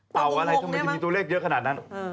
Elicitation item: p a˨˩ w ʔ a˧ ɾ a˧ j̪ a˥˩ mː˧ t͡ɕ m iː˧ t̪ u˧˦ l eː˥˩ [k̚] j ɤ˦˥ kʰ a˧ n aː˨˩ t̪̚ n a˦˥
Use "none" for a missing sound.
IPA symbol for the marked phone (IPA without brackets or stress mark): k̚